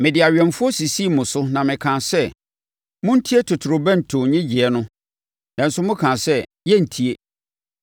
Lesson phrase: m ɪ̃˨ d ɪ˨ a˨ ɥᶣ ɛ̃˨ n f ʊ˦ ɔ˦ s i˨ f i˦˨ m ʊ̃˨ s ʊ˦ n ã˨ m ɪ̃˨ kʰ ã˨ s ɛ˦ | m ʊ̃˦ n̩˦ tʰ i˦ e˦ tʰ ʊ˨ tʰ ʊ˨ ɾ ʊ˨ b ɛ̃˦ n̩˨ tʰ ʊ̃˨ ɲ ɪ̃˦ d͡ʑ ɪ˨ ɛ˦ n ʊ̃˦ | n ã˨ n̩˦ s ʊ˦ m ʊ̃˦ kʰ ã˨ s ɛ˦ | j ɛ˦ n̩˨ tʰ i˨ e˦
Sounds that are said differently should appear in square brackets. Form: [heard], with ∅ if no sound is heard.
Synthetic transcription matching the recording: m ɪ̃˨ d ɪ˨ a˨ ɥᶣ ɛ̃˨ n f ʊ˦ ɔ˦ s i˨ [s] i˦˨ m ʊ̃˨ s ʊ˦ n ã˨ m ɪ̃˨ kʰ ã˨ s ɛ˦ | m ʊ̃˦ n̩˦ tʰ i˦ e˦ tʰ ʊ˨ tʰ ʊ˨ ɾ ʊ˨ b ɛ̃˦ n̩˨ tʰ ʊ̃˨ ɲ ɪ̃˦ d͡ʑ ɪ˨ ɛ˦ n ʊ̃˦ | n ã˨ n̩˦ s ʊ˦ m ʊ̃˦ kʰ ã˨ s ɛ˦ | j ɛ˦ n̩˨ tʰ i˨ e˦